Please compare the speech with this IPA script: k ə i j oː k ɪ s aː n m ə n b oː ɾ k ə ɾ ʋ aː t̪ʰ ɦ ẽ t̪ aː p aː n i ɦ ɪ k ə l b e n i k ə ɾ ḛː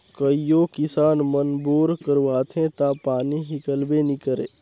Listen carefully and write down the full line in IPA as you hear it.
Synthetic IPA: k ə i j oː k ɪ s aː n m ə n b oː ɾ k ə ɾ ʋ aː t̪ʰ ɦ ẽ t̪ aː p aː n i ɦ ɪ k ə l b e n i k ə ɾ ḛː